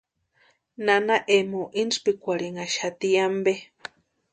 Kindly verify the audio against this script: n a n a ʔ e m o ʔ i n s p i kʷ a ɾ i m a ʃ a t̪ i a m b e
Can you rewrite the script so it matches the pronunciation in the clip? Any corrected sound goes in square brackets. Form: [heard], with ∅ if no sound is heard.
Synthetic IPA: n a n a ʔ e m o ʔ i n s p i kʷ a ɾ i [ŋ] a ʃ a t̪ i a m b e